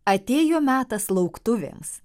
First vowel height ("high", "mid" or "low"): low